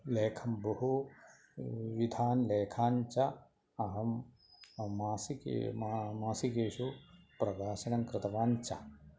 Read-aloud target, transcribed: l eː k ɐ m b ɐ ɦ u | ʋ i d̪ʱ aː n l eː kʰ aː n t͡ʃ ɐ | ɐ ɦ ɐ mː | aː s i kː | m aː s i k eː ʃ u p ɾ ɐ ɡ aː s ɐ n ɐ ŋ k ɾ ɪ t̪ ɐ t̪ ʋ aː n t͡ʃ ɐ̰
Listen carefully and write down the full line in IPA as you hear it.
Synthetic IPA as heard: l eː kʰ ɐ m b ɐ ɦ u | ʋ i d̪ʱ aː n l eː kʰ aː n t͡ʃ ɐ | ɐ ɦ ɐ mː | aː s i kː | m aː s i k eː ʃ u p ɾ ɐ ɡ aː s ɐ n ɐ ŋ k ɾ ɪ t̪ ɐ ʋ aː n t͡ʃ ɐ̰